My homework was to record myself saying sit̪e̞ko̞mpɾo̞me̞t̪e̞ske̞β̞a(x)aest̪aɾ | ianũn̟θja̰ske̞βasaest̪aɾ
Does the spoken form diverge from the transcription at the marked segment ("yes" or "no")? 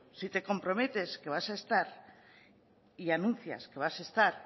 yes